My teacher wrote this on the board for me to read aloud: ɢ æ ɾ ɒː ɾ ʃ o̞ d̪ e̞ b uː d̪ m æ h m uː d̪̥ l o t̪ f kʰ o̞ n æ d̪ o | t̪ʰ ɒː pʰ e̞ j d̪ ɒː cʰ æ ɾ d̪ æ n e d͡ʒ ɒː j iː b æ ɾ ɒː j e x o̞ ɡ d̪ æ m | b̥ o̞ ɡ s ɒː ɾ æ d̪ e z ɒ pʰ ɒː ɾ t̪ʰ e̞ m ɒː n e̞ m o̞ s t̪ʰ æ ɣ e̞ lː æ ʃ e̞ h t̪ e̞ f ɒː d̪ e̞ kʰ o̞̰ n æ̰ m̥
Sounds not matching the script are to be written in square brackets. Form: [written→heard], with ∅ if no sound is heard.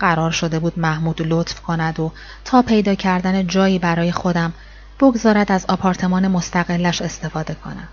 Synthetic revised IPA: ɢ æ ɾ ɒː ɾ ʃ o̞ d̪ e̞ b uː d̪ m æ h m uː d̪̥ l o t̪ f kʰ o̞ n æ d̪ o | t̪ʰ ɒː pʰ e̞ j d̪ ɒː cʰ æ ɾ d̪ æ n e d͡ʒ ɒː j iː b æ ɾ ɒː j e x o̞ [ɡ→∅] d̪ æ m | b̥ o̞ ɡ [s→z] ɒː ɾ æ d̪ [e→æ] z ɒ pʰ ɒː ɾ t̪ʰ e̞ m ɒː n e̞ m o̞ s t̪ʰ æ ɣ e̞ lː æ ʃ e̞ [h→s] t̪ e̞ f ɒː d̪ e̞ kʰ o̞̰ n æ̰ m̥